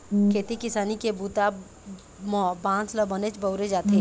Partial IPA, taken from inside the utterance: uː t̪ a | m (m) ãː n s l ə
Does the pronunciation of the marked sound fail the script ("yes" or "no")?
yes